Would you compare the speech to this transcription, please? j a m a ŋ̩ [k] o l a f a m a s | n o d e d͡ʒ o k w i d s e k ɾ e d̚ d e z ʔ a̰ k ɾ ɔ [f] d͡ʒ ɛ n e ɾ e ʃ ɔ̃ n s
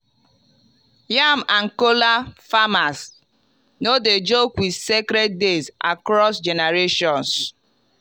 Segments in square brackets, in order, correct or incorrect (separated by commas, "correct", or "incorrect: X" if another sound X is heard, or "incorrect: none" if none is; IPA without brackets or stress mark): correct, incorrect: s